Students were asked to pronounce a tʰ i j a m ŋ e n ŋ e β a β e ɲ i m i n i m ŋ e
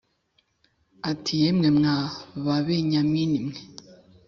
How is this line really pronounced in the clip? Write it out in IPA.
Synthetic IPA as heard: a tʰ i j e m ŋ e m ŋ a β a β e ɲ a m i n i m ŋ e